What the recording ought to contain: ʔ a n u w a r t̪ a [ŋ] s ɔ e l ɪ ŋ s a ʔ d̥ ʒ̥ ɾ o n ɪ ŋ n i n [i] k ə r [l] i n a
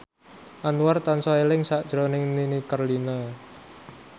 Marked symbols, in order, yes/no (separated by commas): no, yes, yes